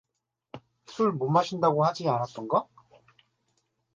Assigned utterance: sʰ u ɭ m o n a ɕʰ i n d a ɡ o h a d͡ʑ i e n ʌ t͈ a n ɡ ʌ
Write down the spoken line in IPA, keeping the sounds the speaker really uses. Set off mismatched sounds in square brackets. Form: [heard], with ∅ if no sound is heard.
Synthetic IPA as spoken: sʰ u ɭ m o [m] a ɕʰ i n d a ɡ o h a d͡ʑ i [a] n [a] t͈ [ʌ] n ɡ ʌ